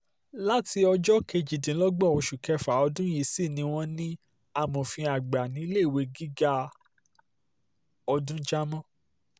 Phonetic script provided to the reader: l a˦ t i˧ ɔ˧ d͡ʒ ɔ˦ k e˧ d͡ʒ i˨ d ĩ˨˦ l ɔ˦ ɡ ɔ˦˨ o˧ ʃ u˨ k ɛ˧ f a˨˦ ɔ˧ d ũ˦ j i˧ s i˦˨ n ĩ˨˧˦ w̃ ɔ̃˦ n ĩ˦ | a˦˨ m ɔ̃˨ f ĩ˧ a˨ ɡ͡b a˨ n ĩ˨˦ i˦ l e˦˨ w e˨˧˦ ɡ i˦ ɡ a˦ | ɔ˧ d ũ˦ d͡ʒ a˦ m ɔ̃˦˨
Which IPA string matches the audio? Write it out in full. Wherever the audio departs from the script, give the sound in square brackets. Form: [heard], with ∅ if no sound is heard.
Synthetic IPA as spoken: l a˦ t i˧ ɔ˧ d͡ʒ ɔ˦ k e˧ d͡ʒ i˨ d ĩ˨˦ l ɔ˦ [ɡ͡b] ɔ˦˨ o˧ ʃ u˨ k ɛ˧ f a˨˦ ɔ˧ d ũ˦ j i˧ s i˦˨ n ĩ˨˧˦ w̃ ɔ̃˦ n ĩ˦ | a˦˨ m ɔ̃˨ f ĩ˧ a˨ ɡ͡b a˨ n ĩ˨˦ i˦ l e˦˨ w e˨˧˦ ɡ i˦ ɡ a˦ | ɔ˧ d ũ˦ d͡ʒ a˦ m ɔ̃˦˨